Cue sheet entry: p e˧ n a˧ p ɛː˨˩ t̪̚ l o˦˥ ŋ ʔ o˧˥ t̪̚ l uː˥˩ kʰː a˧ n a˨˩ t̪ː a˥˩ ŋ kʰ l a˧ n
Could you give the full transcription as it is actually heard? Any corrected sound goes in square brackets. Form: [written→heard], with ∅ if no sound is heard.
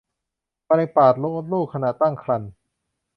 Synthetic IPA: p [e˧→a˧] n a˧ p [ɛː˨˩→aː˨˩] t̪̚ l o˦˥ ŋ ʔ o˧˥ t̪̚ l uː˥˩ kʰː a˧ n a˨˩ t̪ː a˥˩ ŋ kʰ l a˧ n

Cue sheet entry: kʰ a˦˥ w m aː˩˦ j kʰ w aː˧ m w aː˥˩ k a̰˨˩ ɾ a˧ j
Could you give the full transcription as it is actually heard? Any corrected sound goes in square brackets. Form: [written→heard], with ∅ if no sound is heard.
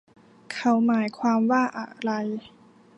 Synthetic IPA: kʰ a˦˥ w m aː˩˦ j kʰ w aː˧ m w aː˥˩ [k→ʔ] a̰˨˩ ɾ a˧ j

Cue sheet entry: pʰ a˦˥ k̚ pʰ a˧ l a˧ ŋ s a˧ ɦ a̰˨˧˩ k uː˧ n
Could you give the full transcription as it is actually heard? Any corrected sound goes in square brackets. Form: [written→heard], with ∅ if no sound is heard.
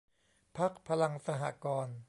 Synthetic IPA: pʰ a˦˥ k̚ pʰ a˧ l a˧ ŋ s a˧ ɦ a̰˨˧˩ k [uː˧→ɔː˧] n

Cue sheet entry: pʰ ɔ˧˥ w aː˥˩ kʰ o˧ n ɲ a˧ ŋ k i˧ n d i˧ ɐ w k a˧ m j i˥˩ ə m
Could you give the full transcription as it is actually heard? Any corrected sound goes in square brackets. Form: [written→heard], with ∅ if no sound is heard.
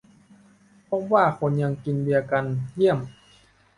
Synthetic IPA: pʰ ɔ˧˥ w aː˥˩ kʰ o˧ n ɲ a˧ ŋ k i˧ n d i˧ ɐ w k a˧ [m→n] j i˥˩ ə m

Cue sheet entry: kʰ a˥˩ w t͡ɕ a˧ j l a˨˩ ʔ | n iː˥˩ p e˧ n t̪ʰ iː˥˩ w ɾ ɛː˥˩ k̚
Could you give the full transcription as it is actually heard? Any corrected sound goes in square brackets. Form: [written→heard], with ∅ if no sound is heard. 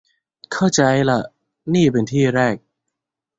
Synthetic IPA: kʰ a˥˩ w t͡ɕ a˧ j l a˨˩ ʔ | n iː˥˩ p e˧ n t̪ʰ iː˥˩ [w→∅] ɾ ɛː˥˩ k̚

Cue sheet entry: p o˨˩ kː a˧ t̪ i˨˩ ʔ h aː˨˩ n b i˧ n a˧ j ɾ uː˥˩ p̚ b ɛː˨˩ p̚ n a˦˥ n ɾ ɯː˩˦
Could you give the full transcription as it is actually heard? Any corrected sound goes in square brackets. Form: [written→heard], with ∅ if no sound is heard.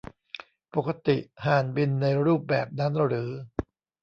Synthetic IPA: p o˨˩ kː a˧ t̪ i˨˩ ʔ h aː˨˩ n b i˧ [n→nː] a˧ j ɾ uː˥˩ p̚ b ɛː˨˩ p̚ n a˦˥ n ɾ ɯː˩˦

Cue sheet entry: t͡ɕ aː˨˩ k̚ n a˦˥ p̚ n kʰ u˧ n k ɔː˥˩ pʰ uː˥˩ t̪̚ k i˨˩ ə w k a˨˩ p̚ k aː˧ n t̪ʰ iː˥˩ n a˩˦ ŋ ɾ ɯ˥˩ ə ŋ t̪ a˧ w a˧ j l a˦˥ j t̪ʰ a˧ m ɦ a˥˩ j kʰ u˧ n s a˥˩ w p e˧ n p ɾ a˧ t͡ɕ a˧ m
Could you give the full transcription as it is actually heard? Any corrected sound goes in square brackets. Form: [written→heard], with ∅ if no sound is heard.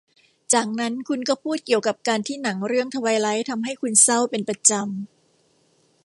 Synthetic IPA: t͡ɕ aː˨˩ k̚ n a˦˥ [p̚→∅] n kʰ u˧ n k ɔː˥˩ pʰ uː˥˩ t̪̚ k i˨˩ ə w k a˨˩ p̚ k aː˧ n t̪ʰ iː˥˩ n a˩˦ ŋ ɾ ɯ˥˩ ə ŋ [t̪→t̪ʰ] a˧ w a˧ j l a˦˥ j t̪ʰ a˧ m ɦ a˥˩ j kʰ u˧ n s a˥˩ w p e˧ n p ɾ a˧ t͡ɕ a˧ m

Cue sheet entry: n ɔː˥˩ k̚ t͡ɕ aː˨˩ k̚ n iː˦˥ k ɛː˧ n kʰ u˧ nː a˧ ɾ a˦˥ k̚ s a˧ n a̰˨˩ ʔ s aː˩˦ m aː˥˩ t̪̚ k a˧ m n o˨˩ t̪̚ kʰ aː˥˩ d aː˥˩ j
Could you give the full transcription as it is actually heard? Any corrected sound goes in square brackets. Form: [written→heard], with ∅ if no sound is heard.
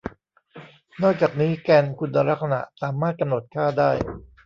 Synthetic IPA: n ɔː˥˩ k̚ t͡ɕ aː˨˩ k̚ n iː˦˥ k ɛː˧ n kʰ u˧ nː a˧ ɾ a˦˥ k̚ s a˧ n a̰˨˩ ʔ s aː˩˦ m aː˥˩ t̪̚ k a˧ m n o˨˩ t̪̚ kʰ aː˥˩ d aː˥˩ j

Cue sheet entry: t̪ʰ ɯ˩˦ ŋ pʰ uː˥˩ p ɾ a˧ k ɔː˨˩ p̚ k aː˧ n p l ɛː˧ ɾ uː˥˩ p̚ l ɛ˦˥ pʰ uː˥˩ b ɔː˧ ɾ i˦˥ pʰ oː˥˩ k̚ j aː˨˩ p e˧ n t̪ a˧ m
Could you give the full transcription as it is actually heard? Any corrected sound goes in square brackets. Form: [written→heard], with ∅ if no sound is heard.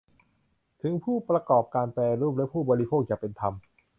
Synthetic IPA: t̪ʰ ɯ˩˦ ŋ pʰ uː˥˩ p ɾ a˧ k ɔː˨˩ p̚ k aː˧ n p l ɛː˧ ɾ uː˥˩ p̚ l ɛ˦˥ pʰ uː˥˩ b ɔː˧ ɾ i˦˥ pʰ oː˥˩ k̚ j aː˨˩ p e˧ n [t̪→t̪ʰ] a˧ m

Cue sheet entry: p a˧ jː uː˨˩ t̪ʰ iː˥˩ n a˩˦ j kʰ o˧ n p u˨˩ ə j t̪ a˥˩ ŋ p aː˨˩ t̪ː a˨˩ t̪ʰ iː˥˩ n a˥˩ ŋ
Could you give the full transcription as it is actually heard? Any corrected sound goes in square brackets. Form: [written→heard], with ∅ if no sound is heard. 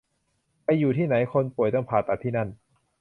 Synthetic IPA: p a˧ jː uː˨˩ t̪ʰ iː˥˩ n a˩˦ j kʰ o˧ n p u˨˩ ə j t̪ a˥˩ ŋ [p→pʰ] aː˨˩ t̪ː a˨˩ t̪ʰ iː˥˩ n a˥˩ [ŋ→n]

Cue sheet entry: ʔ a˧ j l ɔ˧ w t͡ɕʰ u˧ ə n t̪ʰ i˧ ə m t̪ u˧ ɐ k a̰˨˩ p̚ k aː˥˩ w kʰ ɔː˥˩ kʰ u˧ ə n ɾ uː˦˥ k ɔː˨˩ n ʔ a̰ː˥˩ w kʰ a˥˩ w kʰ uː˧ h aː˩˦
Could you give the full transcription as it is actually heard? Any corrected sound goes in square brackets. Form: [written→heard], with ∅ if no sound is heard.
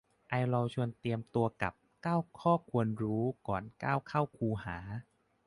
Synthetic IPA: ʔ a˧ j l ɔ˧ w t͡ɕʰ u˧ ə n [t̪ʰ→t̪] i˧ ə m t̪ u˧ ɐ k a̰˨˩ p̚ k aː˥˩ w kʰ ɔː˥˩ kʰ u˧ ə n ɾ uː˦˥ k ɔː˨˩ n [ʔ→k] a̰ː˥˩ w kʰ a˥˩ w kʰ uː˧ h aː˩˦

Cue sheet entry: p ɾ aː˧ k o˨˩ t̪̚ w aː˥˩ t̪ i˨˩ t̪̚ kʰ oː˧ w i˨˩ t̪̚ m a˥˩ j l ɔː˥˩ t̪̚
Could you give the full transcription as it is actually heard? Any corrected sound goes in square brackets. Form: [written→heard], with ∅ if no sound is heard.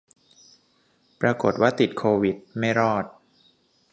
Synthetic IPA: p ɾ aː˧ k o˨˩ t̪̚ w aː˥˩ t̪ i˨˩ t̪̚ kʰ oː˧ w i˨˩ t̪̚ m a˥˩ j [l→ɾ] ɔː˥˩ t̪̚

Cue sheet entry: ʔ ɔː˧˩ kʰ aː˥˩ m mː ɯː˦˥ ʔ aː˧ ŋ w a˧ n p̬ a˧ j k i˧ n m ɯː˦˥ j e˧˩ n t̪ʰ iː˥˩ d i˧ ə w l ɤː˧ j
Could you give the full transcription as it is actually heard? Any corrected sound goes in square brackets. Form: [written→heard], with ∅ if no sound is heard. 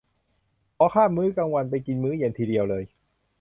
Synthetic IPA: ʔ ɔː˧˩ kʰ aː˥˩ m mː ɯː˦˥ [ʔ→k] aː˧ ŋ w a˧ n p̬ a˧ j k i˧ n m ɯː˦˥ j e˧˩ n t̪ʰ [iː˥˩→iː˧] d i˧ ə w l ɤː˧ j

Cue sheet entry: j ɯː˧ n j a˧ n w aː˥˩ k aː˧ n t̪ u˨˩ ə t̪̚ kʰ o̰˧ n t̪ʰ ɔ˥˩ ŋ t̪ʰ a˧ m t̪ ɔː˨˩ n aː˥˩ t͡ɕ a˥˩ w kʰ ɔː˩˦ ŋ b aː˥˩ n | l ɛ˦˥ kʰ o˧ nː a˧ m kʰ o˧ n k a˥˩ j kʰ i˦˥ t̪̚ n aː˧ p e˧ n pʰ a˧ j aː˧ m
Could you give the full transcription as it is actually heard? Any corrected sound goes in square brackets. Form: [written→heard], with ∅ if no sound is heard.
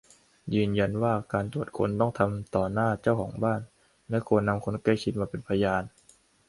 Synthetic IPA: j ɯː˧ n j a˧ n w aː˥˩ k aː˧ n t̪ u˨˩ ə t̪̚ kʰ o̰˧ n [t̪ʰ→t̪] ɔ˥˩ ŋ t̪ʰ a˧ m t̪ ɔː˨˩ n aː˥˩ t͡ɕ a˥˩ w kʰ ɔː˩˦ ŋ b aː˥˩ n | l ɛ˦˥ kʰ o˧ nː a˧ m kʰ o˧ n k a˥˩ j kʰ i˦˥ t̪̚ [n→m] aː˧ p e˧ n pʰ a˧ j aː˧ [m→n]

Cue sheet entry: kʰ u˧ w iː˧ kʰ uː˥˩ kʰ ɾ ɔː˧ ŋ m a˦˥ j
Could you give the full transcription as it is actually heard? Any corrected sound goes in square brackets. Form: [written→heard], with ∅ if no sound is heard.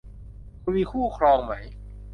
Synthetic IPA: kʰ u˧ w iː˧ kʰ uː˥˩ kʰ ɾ ɔː˧ ŋ m a˦˥ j

